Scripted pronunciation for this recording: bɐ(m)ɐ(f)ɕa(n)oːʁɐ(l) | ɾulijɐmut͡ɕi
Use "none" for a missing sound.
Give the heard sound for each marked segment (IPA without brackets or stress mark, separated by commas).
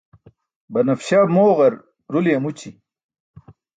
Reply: n, f, m, ɾ